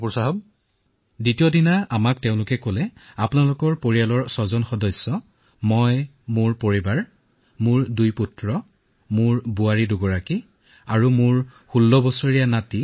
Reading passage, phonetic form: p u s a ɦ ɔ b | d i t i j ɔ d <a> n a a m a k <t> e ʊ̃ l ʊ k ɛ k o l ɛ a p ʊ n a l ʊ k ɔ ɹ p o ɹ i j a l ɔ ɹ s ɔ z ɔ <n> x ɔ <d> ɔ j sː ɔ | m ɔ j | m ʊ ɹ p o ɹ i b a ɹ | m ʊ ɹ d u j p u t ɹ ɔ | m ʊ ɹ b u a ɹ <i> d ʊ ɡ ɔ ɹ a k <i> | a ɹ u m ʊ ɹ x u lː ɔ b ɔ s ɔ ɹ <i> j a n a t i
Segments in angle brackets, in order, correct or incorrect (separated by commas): incorrect, correct, correct, correct, correct, correct, correct